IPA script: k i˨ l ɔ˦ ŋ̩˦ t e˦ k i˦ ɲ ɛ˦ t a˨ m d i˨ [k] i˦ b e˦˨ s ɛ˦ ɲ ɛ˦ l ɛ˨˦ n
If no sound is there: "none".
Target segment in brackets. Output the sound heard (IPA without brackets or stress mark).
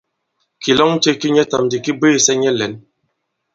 k